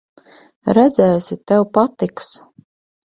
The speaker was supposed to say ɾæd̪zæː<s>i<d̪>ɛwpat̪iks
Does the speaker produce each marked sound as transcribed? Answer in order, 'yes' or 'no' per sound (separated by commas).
yes, no